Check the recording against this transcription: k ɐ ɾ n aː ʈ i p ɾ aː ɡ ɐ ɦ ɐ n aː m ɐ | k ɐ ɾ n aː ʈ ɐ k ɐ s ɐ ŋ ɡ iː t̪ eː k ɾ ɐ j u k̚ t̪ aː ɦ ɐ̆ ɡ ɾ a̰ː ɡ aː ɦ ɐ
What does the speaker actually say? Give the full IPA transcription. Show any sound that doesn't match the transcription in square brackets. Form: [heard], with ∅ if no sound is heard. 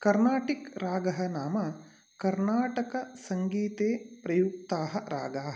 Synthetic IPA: k ɐ ɾ n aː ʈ i [k] ɾ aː ɡ ɐ ɦ ɐ n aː m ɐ | k ɐ ɾ n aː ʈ ɐ k ɐ s ɐ ŋ ɡ iː t̪ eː [p] ɾ ɐ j u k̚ t̪ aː ɦ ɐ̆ [∅] ɾ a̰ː ɡ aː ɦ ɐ